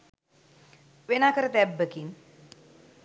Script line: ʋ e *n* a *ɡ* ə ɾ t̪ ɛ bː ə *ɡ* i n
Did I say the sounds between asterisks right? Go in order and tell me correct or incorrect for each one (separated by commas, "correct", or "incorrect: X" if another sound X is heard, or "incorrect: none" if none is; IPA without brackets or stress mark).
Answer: correct, incorrect: k, incorrect: k